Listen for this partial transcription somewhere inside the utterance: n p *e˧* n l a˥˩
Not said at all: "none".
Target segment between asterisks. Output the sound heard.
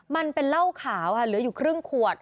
e˧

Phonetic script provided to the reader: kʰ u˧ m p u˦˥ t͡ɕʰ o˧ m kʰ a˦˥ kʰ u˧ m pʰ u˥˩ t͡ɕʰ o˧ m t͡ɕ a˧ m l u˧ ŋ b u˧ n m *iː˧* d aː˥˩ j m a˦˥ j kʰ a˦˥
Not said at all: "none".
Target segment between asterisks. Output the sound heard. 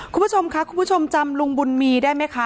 iː˧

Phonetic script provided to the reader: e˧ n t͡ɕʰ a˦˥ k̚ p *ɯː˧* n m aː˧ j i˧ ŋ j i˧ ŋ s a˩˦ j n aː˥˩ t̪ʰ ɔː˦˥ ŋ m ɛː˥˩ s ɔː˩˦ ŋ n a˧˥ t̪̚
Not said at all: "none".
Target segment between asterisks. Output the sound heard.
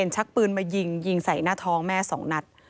ɯː˧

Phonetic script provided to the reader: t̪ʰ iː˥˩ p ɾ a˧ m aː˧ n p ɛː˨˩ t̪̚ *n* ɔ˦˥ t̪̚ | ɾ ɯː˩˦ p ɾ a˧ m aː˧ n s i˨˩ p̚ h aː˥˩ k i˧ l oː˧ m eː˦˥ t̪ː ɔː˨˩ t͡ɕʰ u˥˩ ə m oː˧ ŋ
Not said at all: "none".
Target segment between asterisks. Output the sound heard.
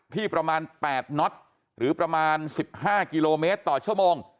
n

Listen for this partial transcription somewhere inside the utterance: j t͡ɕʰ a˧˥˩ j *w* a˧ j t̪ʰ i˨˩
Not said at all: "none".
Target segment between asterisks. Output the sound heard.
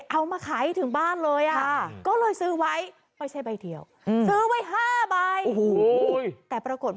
b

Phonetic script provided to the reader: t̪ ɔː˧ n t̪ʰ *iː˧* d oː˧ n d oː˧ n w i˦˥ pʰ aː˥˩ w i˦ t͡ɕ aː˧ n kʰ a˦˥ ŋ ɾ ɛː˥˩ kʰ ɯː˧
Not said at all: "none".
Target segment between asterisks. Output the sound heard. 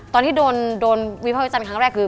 iː˥˩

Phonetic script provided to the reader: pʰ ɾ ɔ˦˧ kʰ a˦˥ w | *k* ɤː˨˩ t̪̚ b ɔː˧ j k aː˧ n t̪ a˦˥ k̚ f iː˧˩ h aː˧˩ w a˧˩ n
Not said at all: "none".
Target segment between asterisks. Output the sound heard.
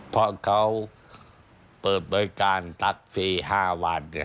p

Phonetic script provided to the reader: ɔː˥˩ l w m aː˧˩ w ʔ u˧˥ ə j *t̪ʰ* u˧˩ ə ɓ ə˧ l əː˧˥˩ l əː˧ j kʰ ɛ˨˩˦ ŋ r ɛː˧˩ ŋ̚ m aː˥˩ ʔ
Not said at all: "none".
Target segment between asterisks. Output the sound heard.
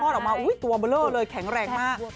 t̪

